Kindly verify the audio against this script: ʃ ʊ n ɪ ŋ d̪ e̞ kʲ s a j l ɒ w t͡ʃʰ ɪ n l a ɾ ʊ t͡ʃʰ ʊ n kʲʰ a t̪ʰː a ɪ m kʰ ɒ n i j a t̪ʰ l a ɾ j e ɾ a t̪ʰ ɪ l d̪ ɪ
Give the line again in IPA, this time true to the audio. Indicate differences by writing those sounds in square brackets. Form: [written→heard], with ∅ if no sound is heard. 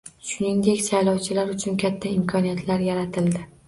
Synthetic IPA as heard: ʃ ʊ n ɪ ŋ d̪ e̞ kʲ s a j l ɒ w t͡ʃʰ ɪ [n→∅] l a ɾ ʊ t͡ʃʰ ʊ n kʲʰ a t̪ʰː a ɪ m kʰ ɒ n i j a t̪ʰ l a ɾ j [e→a] ɾ a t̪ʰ ɪ l d̪ ɪ